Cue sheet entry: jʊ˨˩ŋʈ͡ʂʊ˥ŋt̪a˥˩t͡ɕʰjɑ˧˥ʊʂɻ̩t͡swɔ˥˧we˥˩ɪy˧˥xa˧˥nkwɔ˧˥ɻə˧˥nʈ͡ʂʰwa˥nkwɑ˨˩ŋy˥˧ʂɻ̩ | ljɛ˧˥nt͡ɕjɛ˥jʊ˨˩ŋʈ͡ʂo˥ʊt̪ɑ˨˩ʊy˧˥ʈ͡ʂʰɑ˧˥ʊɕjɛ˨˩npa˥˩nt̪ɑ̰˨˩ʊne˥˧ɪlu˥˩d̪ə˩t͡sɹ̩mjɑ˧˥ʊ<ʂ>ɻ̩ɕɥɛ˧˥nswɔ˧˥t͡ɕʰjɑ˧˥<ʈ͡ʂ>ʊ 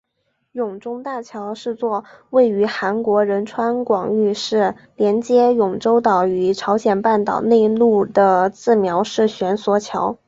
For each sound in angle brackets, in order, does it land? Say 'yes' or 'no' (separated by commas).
yes, no